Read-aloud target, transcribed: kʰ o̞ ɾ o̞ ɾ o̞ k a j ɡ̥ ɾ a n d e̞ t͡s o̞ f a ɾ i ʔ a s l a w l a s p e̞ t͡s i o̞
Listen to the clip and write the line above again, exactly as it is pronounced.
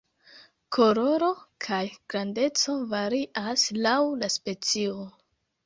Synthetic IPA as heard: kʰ o̞ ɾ o̞ ɾ o̞ kʰ a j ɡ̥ ɾ a n d e̞ t͡s o̞ v a ɾ i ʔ a s l a w l a s p e̞ t͡s i o̞

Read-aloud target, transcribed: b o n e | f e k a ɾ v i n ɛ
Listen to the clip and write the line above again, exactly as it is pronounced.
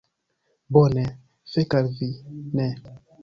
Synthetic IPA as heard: b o n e | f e k a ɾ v i n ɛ

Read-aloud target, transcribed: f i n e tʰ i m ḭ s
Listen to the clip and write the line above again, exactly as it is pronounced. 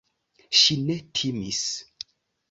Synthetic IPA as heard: ʃ i n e tʰ i m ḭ s

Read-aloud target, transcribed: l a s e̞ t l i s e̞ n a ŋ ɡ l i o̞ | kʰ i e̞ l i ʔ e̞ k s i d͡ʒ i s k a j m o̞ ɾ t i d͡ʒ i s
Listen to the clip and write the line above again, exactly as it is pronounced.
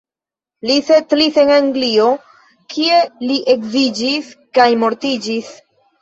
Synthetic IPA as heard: l i s e̞ t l i s e̞ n a ŋ ɡ l i o̞ | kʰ i e̞ l i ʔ e̞ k z i d͡ʒ i s k a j m o̞ ɾ t i d͡ʒ i s

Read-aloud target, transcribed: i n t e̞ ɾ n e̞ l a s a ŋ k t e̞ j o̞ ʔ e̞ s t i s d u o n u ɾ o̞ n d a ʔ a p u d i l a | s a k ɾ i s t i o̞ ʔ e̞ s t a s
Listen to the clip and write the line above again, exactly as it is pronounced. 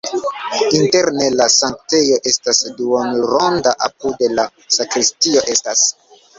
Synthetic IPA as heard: i n t e̞ ɾ n e̞ l a s a ŋ k t e̞ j o̞ ʔ e̞ s t a s d u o n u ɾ o̞ n d a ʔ a p u d e l a | s a k ɾ i s t i o̞ ʔ e̞ s t a s

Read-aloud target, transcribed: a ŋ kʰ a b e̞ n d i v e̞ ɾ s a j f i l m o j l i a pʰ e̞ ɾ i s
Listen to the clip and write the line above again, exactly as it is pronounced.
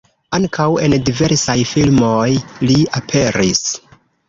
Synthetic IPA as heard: a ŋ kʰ a w e̞ n d i v e̞ ɾ s a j f i l m o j l i a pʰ e̞ ɾ i s

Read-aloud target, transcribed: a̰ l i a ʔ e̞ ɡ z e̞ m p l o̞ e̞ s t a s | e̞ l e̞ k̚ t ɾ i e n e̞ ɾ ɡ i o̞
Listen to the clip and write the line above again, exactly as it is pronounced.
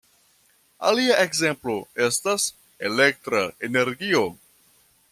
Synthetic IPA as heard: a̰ l i a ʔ e̞ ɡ z e̞ m p l o̞ e̞ s t a s | e̞ l e̞ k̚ t ɾ a e n e̞ ɾ ɡ i o̞

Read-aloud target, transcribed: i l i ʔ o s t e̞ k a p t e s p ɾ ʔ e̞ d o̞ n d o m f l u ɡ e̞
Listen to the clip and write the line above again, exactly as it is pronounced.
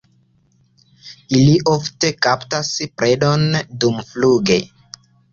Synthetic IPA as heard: i l i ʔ o f t e̞ k a p t a s p ɾ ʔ e̞ d o̞ n d u m f l u ɡ e̞

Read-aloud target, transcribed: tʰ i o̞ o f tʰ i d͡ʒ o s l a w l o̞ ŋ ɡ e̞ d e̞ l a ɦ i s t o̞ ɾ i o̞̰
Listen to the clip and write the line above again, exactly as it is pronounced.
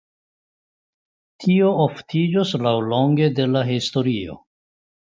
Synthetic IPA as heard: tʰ i o̞ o f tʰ i d͡ʒ o s l a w l o̞ ŋ ɡ e̞ d e̞ l a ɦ i s t o̞ ɾ i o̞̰

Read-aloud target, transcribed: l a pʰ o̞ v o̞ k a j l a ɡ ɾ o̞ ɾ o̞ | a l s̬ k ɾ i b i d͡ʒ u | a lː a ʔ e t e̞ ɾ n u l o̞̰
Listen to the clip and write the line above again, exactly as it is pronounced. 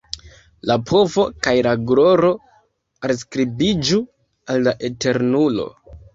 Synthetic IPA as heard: l a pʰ o̞ v o̞ k a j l a ɡ ɾ o̞ ɾ o̞ | a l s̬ k ɾ i b i d͡ʒ u | a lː a ʔ e t e̞ ɾ n u l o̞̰

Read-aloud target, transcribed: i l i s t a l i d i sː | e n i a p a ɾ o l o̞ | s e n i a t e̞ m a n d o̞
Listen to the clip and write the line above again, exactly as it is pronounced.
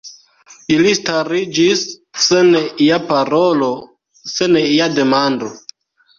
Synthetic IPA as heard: i l i s t a ɾ i d͡ʒ i sː | e n i a p a ɾ o l o̞ | s e n i a d e̞ m a n d o̞

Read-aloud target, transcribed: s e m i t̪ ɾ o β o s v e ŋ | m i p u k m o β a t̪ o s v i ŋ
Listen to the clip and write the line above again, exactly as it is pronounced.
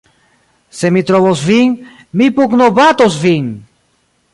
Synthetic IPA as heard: s e m i t̪ ɾ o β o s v i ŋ | m i p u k n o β a t̪ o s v i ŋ

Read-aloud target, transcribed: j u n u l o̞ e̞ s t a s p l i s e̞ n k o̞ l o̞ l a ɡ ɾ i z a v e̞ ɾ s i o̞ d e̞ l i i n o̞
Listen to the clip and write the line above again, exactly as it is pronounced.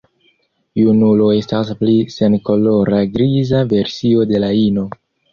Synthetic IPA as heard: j u n u l o̞ e̞ s t a s p l i s e̞ n k o̞ l o̞ ɾ a ɡ ɾ i z a v e̞ ɾ s i o̞ d e̞ l a i n o̞

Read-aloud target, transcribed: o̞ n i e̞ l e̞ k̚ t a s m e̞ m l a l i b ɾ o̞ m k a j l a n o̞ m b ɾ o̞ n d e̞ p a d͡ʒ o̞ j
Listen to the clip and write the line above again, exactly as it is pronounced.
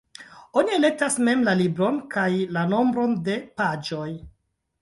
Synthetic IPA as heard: o̞ n i e̞ l e̞ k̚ t a s m e̞ m l a l i b ɾ o̞ n k a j l a n o̞ m b ɾ o̞ n d e̞ p a d͡ʒ o̞ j

